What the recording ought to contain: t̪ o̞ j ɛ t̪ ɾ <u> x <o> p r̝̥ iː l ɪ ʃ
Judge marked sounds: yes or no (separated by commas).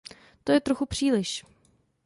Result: no, no